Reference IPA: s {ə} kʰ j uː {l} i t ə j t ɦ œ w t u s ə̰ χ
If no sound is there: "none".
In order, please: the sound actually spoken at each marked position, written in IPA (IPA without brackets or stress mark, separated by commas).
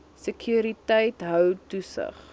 ə, ɾ